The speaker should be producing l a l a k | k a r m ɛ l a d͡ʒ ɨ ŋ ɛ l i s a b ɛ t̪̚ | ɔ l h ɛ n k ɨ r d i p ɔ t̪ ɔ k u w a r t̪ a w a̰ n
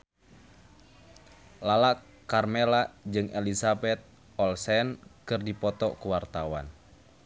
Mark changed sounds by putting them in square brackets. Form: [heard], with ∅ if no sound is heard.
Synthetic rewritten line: l a l a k | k a r m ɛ l a d͡ʒ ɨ ŋ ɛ l i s a b ɛ t̪̚ | ɔ l [s] ɛ n k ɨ r d i p ɔ t̪ ɔ k u w a r t̪ a w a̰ n